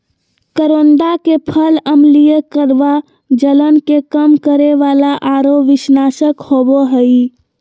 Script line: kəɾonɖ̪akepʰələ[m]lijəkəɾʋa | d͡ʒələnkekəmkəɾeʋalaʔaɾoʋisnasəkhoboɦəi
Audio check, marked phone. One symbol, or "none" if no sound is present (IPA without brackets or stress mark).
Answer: m